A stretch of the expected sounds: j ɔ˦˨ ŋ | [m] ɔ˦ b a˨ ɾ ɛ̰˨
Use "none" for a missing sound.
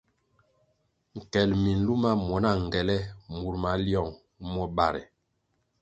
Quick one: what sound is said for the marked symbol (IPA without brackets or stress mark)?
m